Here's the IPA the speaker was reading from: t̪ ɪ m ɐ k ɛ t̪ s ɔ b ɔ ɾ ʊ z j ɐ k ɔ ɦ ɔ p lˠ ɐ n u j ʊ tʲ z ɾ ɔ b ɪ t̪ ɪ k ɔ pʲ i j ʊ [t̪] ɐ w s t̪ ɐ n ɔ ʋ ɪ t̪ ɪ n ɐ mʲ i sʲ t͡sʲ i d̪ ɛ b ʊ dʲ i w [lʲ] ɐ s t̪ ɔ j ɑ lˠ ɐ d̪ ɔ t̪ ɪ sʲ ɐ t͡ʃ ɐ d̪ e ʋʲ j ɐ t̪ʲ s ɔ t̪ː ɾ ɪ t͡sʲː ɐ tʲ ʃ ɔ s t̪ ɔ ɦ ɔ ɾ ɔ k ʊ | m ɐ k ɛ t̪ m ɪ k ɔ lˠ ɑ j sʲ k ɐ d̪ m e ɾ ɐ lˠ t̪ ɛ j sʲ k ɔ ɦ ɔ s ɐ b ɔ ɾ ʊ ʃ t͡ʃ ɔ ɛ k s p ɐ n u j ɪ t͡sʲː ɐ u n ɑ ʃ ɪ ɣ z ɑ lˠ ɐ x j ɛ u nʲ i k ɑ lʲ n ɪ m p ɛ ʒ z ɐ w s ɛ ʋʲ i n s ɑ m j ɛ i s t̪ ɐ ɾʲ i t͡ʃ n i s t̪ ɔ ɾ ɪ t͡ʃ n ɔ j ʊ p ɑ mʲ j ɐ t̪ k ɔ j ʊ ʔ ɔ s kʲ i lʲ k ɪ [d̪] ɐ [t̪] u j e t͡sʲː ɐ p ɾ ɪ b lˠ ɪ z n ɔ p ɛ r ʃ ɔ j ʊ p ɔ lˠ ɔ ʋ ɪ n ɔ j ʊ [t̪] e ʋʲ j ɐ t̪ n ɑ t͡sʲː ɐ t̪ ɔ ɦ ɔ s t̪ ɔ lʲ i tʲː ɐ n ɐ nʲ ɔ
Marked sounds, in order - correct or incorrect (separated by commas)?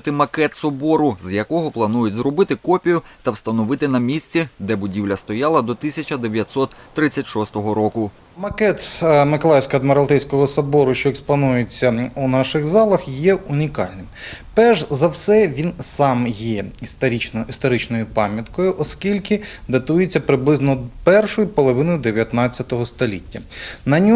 correct, correct, correct, correct, incorrect